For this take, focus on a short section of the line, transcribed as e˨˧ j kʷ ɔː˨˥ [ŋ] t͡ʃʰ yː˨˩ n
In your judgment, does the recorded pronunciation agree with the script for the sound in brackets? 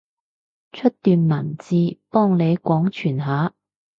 yes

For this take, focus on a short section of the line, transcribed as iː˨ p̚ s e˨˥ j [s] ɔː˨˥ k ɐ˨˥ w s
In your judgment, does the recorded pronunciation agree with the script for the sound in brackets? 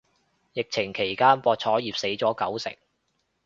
no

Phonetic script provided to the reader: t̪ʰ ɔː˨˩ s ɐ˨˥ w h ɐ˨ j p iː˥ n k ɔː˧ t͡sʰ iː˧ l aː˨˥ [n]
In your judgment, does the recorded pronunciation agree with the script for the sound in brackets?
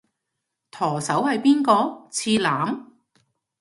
no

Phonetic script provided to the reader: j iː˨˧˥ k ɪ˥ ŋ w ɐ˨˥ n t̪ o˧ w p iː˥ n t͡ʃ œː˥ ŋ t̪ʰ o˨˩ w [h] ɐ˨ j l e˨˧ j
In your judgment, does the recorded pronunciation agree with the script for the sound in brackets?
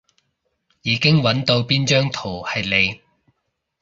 yes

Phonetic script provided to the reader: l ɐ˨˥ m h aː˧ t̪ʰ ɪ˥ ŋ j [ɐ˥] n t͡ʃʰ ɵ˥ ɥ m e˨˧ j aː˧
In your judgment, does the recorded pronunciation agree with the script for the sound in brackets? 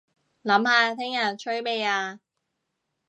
no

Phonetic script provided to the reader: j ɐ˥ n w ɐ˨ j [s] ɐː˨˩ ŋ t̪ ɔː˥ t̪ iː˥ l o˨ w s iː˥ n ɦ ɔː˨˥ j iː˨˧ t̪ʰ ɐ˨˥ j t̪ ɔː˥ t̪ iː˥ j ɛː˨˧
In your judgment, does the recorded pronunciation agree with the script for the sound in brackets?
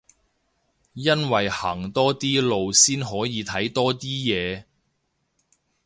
no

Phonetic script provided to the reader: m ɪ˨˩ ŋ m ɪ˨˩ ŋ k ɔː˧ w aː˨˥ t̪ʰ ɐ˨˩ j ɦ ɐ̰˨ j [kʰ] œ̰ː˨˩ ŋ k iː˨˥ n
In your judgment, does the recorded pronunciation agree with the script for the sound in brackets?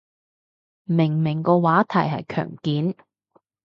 yes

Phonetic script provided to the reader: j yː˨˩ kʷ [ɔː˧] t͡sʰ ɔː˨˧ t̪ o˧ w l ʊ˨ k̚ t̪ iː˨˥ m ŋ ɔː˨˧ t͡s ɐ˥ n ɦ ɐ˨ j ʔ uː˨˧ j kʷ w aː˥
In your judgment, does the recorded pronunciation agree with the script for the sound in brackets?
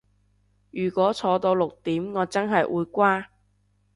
no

